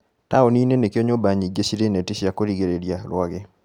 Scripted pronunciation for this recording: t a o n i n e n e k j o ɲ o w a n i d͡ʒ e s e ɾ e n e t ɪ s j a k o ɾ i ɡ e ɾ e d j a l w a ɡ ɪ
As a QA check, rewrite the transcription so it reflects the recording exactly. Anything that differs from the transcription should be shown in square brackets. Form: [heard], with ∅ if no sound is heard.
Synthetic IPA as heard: t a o n i n e n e k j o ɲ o [b] a [ɲ] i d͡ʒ e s [i] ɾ e n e t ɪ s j a k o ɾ i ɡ e ɾ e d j a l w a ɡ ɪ